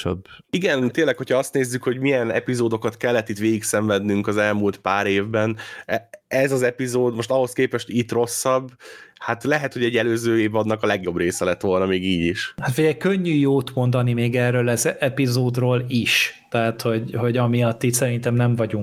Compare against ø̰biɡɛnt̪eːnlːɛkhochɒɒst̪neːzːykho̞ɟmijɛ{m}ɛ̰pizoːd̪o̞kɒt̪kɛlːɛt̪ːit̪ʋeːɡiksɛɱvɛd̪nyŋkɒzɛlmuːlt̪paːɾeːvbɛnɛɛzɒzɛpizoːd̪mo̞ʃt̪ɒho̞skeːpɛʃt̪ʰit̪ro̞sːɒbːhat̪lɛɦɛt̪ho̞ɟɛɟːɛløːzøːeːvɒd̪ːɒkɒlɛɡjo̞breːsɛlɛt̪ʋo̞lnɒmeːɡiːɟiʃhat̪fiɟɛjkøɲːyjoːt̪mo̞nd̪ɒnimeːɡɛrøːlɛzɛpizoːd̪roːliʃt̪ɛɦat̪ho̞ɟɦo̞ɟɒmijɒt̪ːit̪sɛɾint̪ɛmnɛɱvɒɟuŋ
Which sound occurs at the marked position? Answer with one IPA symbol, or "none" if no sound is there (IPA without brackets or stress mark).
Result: n